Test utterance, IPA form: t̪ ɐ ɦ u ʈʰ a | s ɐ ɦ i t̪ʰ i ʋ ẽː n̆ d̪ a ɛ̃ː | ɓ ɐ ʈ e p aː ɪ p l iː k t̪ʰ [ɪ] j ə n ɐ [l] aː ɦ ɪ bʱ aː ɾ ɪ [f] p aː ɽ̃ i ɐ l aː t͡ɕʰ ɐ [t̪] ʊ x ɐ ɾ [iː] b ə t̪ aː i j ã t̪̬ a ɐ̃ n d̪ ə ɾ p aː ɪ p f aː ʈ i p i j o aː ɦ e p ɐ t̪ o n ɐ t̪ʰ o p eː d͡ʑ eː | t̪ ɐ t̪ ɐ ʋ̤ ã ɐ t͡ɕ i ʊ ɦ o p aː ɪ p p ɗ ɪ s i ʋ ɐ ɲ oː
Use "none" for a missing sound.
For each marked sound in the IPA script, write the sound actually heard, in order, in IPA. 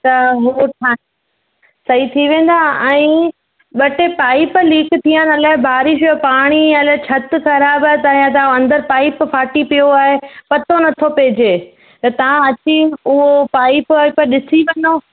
i, l, ʃ, t̪, aː

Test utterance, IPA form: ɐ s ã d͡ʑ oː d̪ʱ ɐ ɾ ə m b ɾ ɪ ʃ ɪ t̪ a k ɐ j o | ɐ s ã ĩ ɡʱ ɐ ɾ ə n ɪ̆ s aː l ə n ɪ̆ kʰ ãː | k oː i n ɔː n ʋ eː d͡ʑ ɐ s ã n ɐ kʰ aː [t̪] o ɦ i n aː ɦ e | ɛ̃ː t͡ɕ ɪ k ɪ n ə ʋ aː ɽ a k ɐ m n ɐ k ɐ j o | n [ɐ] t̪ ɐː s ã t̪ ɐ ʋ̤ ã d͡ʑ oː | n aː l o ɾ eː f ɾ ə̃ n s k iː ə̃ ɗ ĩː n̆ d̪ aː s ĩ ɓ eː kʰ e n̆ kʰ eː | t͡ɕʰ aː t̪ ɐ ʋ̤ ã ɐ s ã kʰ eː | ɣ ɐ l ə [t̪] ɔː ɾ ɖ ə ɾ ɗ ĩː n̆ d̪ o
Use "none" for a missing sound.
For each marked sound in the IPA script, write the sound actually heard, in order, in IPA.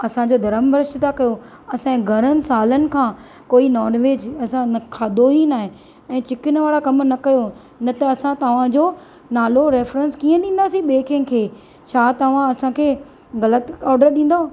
d̪, ɐ, t̪

